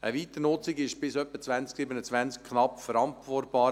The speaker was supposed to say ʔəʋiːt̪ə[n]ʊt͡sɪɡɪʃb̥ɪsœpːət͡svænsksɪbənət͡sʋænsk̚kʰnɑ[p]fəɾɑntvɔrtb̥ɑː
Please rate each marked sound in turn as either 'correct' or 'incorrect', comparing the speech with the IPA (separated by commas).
correct, correct